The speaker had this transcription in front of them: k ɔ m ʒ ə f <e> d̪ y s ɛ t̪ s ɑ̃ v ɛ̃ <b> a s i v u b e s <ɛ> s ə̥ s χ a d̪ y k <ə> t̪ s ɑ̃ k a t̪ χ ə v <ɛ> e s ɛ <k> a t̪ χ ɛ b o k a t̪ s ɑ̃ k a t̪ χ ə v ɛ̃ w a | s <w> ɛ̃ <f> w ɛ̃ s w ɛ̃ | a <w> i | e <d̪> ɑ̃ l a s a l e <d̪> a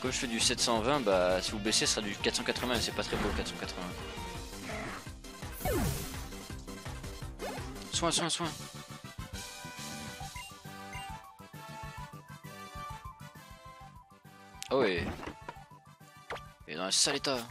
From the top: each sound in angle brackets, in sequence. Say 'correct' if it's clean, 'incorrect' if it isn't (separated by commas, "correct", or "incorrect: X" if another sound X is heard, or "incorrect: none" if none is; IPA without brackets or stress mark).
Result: incorrect: ɛ, correct, incorrect: e, incorrect: a, incorrect: ɛ̃, incorrect: p, correct, incorrect: s, correct, correct, incorrect: t̪